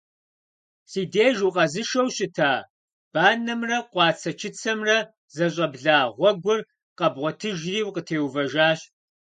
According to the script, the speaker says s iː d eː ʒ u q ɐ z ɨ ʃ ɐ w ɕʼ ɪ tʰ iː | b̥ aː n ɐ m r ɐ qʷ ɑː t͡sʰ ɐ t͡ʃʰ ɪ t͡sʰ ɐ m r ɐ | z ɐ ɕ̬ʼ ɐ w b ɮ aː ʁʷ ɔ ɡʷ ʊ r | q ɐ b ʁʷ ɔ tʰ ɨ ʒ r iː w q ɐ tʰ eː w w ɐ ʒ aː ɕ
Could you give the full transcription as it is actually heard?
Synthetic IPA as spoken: s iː d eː ʒ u q ɐ z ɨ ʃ ɐ w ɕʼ ɪ tʰ aː | b̥ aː n ɐ m r ɐ qʷ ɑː t͡sʰ ɐ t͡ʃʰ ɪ t͡sʰ ɐ m r ɐ | z ɐ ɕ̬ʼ ɐ b ɮ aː ʁʷ ɔ ɡʷ ʊ r | q ɐ b ʁʷ ɔ tʰ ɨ ʒ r iː w q ə tʰ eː w v ɐ ʒ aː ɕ